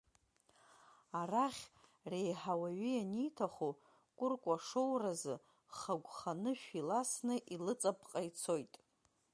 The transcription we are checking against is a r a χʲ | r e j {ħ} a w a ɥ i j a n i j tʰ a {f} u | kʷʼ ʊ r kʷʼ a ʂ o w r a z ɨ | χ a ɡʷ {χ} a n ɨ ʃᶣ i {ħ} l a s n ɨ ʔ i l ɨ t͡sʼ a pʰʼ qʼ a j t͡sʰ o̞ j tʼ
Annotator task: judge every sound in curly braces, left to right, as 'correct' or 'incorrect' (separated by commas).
correct, incorrect, correct, incorrect